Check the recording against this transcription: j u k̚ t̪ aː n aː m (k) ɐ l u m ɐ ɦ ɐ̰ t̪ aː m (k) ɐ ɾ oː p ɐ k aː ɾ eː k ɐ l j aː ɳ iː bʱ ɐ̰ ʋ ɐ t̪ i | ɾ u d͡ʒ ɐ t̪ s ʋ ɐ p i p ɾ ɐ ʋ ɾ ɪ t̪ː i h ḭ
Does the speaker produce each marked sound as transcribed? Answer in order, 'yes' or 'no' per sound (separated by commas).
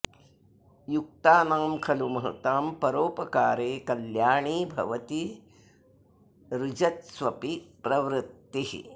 no, no